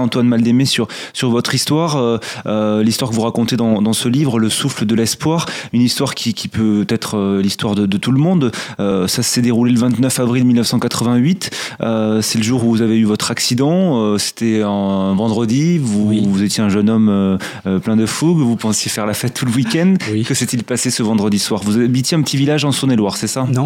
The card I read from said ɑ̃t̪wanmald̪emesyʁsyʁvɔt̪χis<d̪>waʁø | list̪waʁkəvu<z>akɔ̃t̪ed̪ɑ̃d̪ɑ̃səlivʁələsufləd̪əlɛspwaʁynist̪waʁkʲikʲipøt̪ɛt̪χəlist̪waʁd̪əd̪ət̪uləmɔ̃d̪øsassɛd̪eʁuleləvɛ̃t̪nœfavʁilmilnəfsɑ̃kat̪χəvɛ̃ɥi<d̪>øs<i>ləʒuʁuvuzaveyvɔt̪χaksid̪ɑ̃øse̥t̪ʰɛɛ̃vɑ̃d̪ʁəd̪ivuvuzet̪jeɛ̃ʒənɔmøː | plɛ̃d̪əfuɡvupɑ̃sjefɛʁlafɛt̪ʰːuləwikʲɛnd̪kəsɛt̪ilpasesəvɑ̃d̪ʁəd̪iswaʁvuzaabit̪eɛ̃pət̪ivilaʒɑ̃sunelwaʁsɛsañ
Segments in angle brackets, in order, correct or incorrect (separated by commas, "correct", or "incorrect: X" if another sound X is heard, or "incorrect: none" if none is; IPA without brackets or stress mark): incorrect: t̪, incorrect: ʁ, incorrect: t̪, incorrect: ɛ